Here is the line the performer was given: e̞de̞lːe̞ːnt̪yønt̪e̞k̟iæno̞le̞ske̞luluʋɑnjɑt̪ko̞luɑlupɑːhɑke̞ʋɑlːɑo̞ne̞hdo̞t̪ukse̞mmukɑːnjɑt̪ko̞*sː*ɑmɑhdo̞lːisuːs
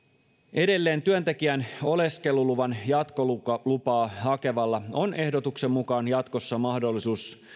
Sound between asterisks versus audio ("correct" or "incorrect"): correct